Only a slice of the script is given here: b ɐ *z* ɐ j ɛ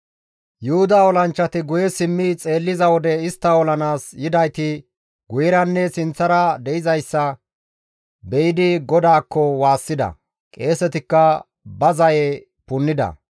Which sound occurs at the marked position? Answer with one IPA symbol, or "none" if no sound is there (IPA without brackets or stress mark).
z